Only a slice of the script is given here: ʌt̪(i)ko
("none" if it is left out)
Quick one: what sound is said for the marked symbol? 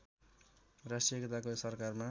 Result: a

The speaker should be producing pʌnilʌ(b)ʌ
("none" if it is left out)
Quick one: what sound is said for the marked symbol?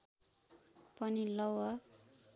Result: w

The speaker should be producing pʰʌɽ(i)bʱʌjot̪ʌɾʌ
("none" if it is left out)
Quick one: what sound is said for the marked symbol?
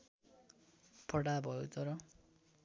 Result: a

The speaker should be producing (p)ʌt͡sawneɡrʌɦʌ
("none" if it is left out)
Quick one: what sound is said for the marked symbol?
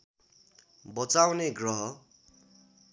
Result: b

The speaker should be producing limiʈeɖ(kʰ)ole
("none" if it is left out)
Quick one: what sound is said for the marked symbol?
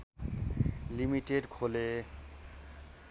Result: kʰ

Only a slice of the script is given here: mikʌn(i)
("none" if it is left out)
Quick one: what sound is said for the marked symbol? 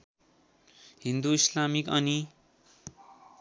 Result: i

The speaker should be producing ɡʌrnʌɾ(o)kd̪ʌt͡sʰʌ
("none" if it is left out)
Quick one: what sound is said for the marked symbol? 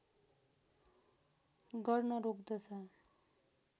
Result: o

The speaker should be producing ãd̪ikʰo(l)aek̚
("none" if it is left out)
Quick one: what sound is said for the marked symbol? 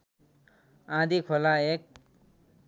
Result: l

